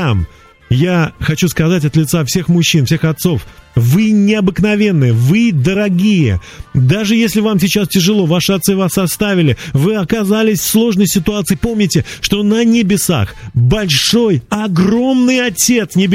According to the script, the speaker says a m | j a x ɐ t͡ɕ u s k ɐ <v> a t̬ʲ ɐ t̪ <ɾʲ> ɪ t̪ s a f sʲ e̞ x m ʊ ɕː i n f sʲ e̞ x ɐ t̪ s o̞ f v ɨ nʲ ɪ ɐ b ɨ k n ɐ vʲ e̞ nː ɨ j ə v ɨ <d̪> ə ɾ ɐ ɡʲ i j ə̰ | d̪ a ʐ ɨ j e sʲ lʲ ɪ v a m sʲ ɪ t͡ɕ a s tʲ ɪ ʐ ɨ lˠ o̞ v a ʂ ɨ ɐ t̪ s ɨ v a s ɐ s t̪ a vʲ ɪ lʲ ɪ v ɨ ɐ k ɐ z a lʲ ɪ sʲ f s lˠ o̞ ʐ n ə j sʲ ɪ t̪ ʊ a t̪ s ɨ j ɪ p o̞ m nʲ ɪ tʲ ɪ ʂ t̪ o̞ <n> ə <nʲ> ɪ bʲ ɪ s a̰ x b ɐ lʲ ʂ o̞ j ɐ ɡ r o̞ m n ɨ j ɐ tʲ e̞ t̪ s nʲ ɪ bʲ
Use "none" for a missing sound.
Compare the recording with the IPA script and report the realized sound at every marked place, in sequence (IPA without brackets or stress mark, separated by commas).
z, lʲ, d̪, n, nʲ